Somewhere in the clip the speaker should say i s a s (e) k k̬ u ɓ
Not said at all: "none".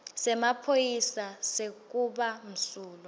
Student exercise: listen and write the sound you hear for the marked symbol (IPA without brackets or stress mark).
e